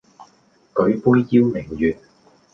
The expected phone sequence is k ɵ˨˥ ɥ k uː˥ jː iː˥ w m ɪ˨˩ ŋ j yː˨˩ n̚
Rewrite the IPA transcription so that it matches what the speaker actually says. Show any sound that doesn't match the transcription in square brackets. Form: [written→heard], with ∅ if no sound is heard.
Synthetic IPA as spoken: k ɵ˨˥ ɥ [k→p] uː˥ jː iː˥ w m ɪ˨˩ ŋ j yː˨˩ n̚